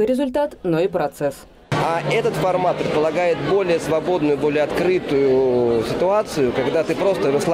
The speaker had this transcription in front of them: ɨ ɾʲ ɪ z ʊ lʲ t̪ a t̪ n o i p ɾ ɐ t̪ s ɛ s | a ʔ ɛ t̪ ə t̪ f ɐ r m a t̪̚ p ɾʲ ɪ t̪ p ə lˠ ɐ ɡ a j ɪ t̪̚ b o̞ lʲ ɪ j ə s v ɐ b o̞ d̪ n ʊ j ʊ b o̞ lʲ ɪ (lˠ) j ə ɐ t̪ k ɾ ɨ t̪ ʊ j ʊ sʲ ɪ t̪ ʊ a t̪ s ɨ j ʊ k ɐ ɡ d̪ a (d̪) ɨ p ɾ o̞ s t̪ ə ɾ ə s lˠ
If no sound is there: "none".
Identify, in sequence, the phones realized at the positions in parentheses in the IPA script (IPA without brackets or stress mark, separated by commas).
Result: none, t̪